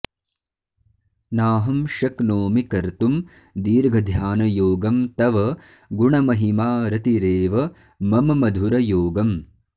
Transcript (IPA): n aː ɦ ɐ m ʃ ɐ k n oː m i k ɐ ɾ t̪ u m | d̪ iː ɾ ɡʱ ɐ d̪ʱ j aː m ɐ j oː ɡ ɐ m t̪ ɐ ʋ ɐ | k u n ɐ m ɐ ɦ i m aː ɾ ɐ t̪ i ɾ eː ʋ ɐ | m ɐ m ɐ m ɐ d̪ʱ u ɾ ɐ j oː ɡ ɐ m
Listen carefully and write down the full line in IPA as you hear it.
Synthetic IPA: n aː ɦ ɐ m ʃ ɐ k n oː m i k ɐ ɾ t̪ u m | d̪ iː ɾ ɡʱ ɐ d̪ʱ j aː n ɐ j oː ɡ ɐ m t̪ ɐ ʋ ɐ | ɡ u ɳ ɐ m ɐ ɦ i m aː ɾ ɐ t̪ i ɾ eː ʋ ɐ | m ɐ m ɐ m ɐ d̪ʱ u ɾ ɐ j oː ɡ ɐ m